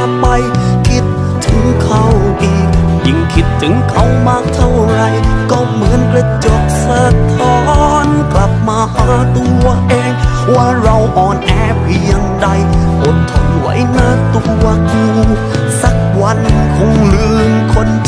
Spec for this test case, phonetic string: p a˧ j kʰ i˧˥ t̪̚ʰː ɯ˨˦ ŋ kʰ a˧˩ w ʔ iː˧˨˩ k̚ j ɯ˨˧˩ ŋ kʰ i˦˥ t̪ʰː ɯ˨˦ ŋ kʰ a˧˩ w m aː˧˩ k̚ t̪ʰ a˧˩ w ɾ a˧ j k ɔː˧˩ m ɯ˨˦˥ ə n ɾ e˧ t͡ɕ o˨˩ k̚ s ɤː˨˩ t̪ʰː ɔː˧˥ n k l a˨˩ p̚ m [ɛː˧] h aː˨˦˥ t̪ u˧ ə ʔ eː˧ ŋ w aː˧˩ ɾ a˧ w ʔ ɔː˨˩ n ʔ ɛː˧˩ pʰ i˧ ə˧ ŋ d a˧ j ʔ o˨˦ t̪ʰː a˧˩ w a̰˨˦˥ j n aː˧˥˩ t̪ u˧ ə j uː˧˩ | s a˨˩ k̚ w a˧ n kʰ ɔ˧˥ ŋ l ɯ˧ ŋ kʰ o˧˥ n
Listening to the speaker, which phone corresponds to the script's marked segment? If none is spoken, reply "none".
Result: aː˧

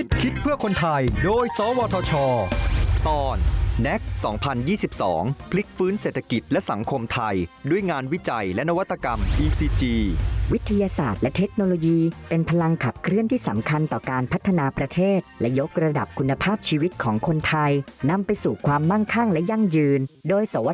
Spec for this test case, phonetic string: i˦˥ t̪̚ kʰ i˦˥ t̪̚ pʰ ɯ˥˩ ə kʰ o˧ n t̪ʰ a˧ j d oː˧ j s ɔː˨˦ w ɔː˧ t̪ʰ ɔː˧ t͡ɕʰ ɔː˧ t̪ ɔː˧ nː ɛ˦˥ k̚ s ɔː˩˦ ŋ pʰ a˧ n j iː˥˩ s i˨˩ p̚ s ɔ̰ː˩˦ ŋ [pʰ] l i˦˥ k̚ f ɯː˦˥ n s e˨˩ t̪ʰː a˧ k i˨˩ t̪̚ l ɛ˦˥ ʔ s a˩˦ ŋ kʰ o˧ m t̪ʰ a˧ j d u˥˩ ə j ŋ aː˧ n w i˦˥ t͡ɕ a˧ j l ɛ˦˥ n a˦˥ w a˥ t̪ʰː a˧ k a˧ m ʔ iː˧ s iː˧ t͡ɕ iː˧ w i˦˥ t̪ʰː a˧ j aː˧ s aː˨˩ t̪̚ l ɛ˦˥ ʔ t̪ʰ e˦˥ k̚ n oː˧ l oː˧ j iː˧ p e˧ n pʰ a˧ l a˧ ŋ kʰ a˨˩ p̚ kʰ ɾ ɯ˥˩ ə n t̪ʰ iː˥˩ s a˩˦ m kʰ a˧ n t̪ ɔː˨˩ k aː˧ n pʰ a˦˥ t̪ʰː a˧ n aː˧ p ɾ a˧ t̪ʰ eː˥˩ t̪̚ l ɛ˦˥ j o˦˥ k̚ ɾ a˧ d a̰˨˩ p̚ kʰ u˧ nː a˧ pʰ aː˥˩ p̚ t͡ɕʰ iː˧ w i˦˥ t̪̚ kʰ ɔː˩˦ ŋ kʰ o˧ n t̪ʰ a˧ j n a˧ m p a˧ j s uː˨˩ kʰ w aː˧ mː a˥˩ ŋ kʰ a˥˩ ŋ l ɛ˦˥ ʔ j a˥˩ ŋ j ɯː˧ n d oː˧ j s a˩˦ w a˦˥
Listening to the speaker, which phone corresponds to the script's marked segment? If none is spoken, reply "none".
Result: pʰ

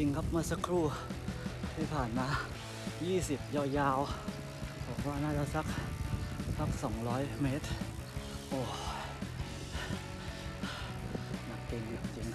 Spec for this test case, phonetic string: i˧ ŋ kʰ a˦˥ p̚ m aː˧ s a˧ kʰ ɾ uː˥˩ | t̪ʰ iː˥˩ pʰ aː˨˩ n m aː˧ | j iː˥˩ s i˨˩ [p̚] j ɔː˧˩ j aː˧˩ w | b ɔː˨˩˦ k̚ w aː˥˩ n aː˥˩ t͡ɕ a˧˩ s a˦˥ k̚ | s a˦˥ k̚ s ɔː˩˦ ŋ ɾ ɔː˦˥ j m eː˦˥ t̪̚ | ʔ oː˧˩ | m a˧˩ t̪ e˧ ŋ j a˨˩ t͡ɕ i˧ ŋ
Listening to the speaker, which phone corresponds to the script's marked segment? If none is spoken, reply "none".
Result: p̚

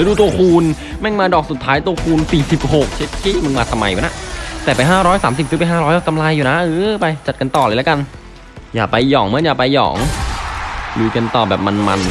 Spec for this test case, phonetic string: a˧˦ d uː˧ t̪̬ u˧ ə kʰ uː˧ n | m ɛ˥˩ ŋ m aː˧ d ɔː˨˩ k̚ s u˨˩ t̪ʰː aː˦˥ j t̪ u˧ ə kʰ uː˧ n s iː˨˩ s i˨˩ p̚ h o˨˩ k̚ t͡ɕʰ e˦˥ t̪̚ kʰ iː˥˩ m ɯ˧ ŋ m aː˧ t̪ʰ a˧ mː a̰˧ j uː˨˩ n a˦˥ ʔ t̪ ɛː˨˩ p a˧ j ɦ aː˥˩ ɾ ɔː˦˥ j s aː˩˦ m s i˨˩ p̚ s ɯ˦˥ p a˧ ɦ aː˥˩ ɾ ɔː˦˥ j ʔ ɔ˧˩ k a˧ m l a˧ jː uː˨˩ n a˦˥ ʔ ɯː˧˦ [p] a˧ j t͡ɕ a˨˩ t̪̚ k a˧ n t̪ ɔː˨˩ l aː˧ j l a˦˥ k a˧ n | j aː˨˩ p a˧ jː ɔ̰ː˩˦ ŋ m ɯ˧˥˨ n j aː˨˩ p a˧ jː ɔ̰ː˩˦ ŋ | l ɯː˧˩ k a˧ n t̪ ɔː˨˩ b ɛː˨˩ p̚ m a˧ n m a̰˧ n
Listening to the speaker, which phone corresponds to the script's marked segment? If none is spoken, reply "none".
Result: p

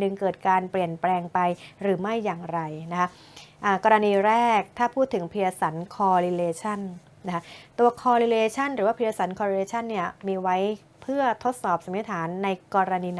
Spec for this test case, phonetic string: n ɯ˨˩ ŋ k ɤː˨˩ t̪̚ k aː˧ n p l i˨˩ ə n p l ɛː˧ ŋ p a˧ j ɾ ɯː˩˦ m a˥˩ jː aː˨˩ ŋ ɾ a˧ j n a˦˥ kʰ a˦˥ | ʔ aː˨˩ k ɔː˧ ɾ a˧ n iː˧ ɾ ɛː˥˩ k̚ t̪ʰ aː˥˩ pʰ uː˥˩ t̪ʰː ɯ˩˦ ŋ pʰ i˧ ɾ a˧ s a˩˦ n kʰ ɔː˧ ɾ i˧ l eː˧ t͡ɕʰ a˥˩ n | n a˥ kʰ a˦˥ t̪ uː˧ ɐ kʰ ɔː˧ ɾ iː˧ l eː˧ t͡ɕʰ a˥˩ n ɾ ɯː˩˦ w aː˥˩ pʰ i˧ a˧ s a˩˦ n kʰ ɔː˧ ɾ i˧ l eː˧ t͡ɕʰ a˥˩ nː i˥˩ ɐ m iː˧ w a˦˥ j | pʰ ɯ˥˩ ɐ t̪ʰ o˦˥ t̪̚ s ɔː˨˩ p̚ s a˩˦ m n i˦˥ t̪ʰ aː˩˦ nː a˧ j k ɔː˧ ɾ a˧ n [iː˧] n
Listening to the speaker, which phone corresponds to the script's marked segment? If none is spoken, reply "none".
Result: iː˧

